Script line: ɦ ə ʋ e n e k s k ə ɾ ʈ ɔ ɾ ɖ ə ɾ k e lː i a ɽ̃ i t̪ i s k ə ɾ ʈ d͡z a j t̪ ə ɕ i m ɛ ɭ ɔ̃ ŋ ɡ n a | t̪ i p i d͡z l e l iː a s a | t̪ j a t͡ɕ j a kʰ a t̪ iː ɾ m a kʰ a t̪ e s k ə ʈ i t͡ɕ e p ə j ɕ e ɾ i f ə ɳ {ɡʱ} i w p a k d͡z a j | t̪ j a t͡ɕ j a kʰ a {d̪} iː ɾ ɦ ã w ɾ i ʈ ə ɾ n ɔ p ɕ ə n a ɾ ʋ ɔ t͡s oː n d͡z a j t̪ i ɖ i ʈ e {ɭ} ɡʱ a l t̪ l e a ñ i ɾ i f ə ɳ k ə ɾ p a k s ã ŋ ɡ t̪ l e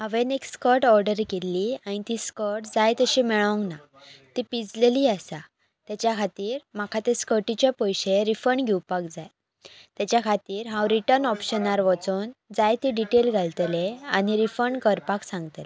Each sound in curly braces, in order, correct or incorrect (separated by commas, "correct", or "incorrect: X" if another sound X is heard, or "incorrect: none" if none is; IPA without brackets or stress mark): correct, incorrect: t̪, incorrect: l